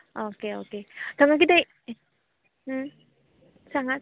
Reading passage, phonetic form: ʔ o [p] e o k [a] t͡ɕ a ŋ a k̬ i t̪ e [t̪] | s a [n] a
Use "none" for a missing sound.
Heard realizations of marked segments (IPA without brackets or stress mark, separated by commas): k, e, none, ŋ